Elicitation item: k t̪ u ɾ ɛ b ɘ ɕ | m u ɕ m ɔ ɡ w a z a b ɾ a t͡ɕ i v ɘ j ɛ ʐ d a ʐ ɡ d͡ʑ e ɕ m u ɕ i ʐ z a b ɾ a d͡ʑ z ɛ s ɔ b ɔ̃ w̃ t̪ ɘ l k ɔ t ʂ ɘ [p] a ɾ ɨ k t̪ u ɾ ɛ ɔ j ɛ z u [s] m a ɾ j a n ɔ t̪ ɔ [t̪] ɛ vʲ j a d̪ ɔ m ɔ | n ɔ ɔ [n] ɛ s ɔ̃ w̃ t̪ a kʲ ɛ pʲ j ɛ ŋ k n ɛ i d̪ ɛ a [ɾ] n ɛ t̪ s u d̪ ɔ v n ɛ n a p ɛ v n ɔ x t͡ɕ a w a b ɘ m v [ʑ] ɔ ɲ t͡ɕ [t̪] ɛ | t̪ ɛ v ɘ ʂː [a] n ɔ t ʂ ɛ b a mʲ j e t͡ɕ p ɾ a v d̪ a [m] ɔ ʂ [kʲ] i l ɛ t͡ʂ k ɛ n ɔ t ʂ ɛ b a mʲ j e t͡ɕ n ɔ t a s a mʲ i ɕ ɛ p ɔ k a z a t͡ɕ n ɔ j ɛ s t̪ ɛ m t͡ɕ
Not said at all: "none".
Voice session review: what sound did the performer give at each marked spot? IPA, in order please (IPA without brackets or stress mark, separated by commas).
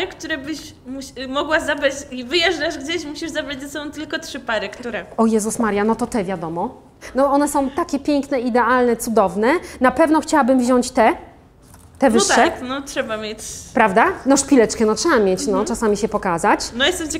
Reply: p, s, t̪, n, l, ʑ, t̪, ɛ, n, pʲ